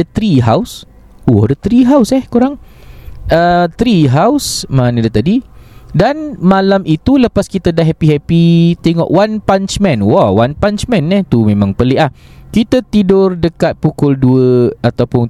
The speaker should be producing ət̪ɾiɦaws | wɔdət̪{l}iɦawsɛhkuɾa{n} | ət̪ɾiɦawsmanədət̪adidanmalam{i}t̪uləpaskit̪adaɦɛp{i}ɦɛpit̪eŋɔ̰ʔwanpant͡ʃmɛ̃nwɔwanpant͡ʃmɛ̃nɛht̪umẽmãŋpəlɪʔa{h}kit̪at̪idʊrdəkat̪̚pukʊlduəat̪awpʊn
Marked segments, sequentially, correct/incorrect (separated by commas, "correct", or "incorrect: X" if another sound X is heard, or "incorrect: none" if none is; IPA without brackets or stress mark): incorrect: ɾ, incorrect: ŋ, correct, correct, correct